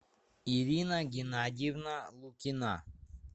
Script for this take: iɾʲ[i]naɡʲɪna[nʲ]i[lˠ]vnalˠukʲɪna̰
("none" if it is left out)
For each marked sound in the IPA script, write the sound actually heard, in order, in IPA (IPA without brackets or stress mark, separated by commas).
i, dʲ, none